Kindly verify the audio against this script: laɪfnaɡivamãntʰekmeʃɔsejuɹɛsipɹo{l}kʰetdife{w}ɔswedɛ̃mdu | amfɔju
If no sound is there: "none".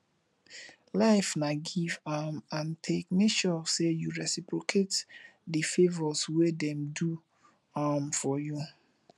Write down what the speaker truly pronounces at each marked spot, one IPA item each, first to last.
none, v

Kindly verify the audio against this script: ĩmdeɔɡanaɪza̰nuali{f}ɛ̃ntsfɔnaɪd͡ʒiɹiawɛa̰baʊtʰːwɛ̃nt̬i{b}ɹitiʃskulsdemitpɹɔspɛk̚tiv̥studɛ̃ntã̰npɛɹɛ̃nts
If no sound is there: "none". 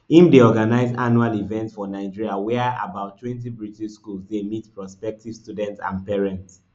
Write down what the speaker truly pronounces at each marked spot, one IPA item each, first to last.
v, b

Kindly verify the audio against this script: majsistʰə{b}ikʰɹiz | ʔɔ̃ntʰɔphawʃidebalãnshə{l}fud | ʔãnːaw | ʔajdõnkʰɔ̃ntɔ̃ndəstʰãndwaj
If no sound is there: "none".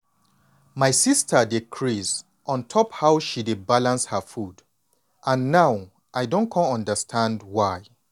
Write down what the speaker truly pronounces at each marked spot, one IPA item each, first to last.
d, none

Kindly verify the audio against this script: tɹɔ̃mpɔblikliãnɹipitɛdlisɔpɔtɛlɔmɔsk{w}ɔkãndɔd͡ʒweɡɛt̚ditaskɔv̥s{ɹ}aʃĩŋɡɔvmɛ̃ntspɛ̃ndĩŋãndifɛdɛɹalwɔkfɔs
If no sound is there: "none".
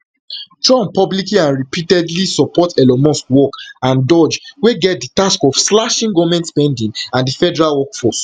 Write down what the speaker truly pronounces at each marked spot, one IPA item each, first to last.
w, l

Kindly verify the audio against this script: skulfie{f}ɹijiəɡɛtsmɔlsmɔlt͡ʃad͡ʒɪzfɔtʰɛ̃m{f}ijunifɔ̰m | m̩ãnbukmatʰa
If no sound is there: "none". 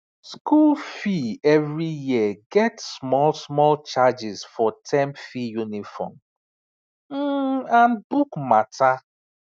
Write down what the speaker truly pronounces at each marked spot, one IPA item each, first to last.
v, f

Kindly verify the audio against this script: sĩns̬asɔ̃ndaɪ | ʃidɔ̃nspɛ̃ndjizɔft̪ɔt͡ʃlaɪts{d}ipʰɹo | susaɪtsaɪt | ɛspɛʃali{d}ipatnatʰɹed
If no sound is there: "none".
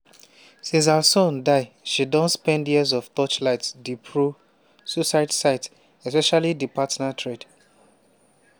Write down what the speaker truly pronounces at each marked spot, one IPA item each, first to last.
d, d

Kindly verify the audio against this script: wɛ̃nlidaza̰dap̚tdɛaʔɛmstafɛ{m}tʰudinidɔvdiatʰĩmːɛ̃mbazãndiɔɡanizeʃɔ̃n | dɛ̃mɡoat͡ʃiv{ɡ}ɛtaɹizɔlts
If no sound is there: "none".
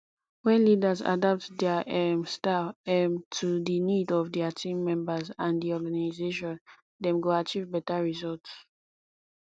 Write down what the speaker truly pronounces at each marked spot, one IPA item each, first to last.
m, b

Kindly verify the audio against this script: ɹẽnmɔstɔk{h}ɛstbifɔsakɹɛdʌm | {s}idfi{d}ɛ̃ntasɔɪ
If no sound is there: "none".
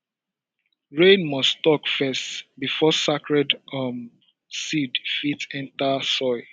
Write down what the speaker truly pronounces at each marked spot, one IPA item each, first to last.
f, s, t

